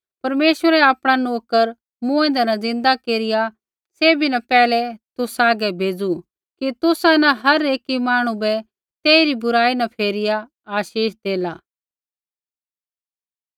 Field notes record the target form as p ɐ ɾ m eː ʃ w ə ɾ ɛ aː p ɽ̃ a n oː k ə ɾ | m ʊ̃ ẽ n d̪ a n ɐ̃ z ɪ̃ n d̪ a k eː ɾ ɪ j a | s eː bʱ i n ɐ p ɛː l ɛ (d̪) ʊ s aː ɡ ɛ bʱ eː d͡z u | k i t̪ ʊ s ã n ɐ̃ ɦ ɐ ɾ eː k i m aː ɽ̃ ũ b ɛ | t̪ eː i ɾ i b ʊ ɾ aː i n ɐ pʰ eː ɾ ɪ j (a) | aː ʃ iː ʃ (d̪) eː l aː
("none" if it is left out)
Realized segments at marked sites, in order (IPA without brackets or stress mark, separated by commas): t̪, a, d̪